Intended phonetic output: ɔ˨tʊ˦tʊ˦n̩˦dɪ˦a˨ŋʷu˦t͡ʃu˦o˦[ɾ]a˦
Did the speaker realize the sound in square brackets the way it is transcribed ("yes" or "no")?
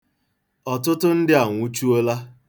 no